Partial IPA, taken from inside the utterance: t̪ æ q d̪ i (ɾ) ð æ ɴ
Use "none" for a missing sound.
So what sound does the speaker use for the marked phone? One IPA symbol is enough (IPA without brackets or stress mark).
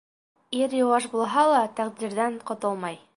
ɾ